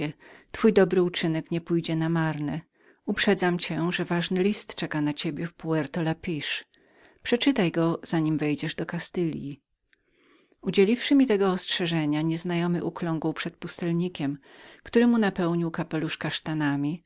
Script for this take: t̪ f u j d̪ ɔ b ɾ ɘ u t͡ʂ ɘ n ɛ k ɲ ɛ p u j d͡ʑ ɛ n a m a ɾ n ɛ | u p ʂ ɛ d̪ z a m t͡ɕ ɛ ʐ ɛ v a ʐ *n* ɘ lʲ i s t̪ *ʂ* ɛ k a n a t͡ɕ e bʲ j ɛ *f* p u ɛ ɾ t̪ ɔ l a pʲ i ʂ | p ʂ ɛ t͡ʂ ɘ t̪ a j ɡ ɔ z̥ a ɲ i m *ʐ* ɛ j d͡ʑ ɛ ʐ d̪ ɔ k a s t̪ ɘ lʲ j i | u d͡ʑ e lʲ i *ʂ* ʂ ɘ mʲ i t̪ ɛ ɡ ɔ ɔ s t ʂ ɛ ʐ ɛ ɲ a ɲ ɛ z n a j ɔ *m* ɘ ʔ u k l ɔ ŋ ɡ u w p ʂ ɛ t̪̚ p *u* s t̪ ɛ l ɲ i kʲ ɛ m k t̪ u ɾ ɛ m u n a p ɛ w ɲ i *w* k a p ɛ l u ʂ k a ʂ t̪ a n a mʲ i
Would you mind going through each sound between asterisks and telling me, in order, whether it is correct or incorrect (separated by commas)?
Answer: correct, incorrect, correct, incorrect, incorrect, correct, correct, correct